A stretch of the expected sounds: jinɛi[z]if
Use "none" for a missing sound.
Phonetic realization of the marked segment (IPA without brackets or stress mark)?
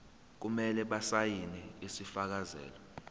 s